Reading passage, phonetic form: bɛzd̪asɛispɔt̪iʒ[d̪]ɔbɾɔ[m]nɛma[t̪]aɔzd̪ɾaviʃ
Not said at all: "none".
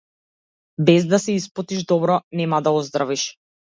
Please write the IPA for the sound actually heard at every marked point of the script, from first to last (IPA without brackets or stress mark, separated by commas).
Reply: d̪, none, d̪